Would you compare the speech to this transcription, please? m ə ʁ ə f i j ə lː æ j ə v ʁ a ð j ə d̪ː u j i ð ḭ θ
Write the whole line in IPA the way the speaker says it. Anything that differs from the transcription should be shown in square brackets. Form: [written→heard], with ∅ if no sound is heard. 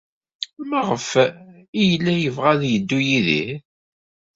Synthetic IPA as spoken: m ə ʁ ə f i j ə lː æ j ə v ʁ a ð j ə d̪ː u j i ð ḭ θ